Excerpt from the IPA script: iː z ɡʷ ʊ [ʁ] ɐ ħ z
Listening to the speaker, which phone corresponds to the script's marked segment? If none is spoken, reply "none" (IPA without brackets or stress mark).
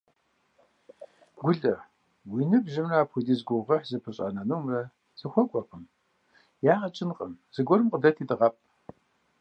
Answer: ʁ